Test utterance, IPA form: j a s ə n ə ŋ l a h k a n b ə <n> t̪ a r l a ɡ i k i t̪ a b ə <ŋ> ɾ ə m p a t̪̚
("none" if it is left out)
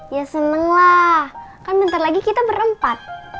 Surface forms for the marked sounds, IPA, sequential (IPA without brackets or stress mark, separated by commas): n, none